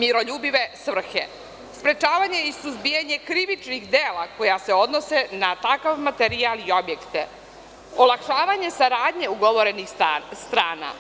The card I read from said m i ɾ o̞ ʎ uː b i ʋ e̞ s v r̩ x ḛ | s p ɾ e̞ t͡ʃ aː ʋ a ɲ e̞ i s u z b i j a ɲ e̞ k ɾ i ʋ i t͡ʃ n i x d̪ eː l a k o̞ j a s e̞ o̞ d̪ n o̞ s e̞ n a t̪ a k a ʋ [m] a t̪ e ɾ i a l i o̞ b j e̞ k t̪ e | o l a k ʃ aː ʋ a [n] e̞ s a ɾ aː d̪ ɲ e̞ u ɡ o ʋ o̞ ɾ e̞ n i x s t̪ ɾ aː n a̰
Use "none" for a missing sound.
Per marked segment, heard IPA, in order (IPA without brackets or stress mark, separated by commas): m, ɲ